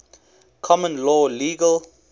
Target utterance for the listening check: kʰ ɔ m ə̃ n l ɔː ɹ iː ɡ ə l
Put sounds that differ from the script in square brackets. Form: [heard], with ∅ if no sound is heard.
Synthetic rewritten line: kʰ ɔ m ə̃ n l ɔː [l] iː ɡ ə l